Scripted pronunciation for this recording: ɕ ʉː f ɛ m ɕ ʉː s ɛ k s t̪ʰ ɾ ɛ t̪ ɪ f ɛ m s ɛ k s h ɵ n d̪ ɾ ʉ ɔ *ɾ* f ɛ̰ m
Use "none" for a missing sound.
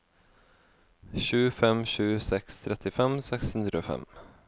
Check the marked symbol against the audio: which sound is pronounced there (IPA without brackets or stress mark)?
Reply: none